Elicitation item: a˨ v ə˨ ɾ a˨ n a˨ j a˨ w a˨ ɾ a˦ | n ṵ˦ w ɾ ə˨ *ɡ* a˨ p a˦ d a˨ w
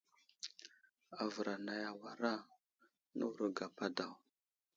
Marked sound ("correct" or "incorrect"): correct